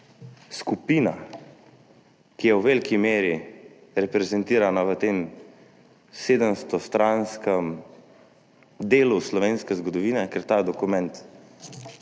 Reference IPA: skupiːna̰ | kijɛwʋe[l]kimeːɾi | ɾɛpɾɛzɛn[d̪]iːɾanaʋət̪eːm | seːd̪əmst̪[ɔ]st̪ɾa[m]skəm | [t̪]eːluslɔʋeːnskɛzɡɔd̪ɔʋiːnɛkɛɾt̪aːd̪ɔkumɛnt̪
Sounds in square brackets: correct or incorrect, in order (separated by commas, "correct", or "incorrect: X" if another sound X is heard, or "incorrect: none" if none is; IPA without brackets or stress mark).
correct, incorrect: t̪, correct, incorrect: n, incorrect: d̪